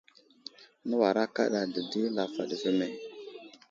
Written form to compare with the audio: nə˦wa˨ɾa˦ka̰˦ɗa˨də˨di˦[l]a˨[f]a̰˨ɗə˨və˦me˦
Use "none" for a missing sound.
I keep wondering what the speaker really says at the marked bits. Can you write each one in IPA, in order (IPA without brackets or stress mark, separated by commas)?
l, f